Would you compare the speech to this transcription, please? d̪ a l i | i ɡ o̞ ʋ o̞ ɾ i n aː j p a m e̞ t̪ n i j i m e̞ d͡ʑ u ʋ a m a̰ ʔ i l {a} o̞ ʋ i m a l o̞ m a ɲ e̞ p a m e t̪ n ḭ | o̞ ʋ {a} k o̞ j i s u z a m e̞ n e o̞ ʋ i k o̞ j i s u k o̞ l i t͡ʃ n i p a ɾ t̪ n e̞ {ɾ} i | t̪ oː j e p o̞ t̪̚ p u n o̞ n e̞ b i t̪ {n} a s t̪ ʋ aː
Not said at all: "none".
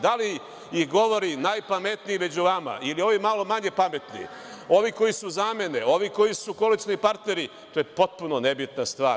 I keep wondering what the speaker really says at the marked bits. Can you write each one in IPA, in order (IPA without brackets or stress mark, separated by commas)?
i, i, ɾ, n